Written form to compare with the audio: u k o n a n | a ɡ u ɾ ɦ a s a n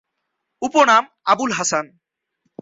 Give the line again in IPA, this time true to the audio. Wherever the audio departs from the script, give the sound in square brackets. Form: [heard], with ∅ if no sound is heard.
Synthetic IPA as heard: u [p] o n a [m] | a [b] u [l] ɦ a s a n